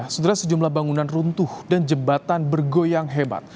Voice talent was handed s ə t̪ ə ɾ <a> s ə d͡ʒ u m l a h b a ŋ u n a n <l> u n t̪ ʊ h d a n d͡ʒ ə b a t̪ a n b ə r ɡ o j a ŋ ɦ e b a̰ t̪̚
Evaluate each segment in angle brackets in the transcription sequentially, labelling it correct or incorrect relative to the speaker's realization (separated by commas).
correct, incorrect